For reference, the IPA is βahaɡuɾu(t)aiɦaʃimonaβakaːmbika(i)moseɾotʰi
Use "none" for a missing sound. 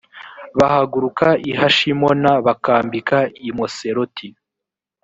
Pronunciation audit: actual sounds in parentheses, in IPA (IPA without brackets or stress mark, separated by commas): k, i